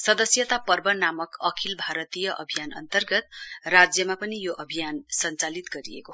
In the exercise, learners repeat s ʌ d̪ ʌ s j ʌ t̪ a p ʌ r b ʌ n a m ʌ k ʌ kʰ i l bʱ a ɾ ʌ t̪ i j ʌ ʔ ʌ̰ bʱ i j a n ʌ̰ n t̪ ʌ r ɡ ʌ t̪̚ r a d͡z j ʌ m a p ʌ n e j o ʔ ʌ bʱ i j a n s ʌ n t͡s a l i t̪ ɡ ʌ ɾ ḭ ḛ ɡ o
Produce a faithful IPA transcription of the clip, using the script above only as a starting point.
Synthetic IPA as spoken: s ʌ d̪ ʌ s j ʌ t̪ a p ʌ r b ʌ n a m ʌ k ʌ kʰ i l bʱ a ɾ ʌ t̪ i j ʌ ʔ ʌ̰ bʱ i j a n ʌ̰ n t̪ ʌ r ɡ ʌ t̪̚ r a d͡z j ʌ m a p ʌ n i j o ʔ ʌ bʱ i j a n s ʌ n t͡s a l i t̪ ɡ ʌ ɾ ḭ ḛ k o